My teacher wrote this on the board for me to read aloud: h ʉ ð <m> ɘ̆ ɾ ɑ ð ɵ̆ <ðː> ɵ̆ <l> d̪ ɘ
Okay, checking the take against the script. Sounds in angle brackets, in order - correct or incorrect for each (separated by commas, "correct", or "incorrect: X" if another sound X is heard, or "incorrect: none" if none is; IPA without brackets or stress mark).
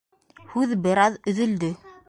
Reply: incorrect: b, incorrect: ð, correct